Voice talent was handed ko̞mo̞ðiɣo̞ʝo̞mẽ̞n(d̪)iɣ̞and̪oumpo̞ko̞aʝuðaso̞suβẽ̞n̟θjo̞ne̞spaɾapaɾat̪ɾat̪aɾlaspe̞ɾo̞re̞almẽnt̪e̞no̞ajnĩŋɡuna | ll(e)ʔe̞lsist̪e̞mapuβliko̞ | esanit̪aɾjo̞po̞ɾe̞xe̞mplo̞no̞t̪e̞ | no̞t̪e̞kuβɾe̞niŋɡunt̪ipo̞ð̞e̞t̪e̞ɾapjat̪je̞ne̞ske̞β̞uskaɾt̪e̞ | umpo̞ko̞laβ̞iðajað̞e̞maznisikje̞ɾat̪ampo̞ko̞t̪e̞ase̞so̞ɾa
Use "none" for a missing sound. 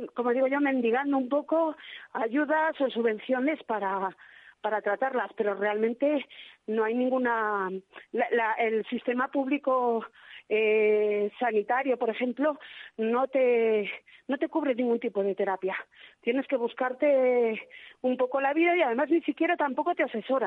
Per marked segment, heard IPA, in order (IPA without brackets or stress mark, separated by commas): d̪, a